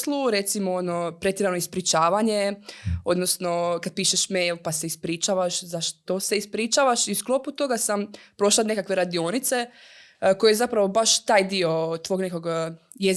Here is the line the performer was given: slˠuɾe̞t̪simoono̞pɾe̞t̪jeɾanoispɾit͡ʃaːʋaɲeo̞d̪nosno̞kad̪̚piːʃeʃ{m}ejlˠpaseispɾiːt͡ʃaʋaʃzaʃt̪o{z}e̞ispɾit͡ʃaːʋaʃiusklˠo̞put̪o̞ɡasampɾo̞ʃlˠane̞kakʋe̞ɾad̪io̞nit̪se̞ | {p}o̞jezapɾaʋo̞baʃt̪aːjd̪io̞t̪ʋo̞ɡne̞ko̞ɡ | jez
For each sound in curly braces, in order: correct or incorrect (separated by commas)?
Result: correct, incorrect, incorrect